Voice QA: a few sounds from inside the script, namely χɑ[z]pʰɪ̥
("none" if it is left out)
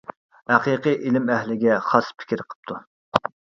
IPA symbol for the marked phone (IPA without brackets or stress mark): s